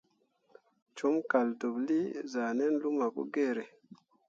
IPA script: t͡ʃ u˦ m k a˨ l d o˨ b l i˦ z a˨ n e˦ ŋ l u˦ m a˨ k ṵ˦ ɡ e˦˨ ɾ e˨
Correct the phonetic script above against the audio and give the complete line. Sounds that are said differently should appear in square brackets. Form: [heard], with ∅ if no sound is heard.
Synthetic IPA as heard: t͡ʃ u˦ m k a˨ l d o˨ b l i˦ z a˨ n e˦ [n] l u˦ m a˨ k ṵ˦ ɡ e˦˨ ɾ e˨